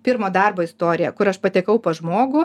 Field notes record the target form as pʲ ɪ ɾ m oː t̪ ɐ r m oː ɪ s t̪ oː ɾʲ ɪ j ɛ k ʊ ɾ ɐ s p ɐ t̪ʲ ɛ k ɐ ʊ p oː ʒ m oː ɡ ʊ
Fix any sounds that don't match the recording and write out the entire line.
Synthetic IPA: pʲ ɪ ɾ m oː d̪ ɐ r b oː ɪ s t̪ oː ɾʲ ɪ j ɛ k ʊ ɾ ɐ ʃ p ɐ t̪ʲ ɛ k ɐ ʊ p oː ʒ m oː ɡ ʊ